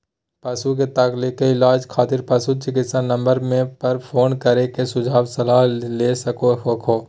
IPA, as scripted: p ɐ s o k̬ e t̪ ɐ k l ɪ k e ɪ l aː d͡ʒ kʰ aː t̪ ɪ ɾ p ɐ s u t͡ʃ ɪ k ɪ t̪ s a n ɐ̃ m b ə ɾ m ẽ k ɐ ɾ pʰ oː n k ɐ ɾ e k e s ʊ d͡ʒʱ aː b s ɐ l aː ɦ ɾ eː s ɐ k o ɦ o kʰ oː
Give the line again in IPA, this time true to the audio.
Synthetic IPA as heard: p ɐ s u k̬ e t̪ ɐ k l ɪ k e ɪ l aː d͡ʒ kʰ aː t̪ ɪ ɾ p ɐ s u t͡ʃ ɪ k ɪ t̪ s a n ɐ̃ m b ə ɾ m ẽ p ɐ ɾ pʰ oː n k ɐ ɾ e k e s ʊ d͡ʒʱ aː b s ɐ l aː ɦ l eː s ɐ k o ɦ o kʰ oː